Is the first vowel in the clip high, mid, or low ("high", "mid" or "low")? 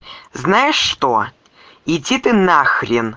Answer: low